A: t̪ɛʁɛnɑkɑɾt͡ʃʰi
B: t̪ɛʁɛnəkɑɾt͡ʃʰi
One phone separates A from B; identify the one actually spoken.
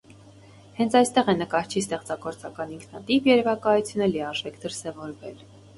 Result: B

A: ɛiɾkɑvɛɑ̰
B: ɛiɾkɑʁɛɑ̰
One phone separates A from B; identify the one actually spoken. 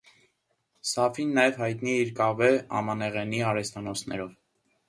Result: A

